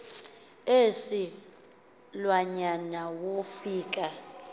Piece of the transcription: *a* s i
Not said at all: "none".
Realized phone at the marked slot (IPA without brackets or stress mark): e